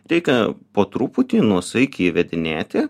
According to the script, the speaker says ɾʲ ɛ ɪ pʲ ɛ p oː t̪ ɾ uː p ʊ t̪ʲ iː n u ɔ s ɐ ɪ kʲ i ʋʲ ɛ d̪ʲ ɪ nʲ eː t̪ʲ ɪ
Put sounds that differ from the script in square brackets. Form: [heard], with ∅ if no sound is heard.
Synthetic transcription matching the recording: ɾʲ ɛ ɪ [kʲ] ɛ p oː t̪ ɾ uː p ʊ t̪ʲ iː n u ɔ s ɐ ɪ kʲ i ʋʲ ɛ d̪ʲ ɪ nʲ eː t̪ʲ ɪ